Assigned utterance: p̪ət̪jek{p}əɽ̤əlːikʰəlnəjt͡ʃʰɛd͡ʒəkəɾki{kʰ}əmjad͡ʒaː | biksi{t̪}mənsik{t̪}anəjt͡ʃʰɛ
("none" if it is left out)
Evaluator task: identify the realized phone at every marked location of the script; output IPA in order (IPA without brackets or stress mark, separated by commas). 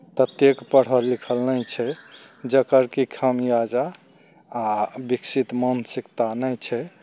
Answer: p, kʰ, t̪, t̪